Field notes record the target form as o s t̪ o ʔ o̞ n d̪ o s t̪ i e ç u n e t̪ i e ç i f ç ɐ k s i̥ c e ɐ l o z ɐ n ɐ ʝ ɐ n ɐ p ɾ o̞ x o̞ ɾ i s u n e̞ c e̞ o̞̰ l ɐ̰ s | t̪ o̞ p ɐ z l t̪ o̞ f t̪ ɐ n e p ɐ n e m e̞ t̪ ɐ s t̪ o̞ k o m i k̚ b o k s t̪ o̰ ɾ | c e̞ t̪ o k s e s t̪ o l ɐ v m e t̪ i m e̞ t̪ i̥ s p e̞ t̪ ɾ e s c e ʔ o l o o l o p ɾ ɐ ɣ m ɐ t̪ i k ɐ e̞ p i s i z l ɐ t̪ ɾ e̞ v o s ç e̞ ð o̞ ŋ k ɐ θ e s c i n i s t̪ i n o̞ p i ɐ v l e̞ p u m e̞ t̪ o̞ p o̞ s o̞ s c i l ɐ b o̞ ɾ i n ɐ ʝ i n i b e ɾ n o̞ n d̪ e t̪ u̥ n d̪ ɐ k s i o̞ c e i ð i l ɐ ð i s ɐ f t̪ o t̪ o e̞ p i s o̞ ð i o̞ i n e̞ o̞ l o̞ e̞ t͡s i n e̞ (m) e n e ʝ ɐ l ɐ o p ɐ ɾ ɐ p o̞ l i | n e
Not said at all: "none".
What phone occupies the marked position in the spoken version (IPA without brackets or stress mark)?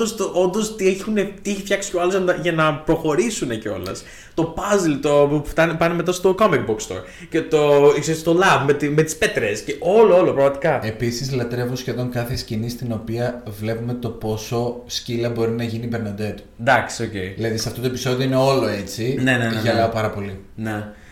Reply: n